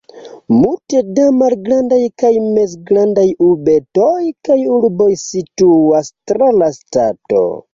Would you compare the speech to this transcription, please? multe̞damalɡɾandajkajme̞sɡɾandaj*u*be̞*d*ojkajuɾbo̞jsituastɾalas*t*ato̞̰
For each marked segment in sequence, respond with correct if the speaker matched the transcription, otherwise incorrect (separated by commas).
correct, incorrect, correct